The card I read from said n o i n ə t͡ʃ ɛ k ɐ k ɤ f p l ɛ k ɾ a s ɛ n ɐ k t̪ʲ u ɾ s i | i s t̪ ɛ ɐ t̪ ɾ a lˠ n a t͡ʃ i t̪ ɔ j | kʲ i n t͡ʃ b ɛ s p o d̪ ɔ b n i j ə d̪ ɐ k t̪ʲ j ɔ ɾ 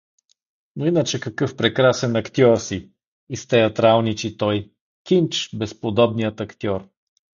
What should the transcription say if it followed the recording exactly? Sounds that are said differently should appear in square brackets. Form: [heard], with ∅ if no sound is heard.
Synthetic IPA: n o i n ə t͡ʃ ɛ k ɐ k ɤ f p [ɾ] ɛ k ɾ a s ɛ n ɐ k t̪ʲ [ɔ] ɾ s i | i s t̪ ɛ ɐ t̪ ɾ a lˠ n [i] t͡ʃ i t̪ ɔ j | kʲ i n t͡ʃ b ɛ s p o d̪ ɔ b n i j ə [t̪] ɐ k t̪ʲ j ɔ ɾ